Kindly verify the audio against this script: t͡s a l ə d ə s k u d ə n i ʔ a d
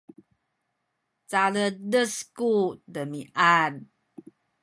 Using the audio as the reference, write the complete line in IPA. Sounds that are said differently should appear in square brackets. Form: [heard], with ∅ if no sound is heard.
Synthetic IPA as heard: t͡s a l ə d ə s k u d ə [m] i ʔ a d